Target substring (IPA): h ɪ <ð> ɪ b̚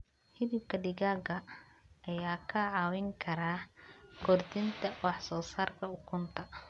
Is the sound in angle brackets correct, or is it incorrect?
correct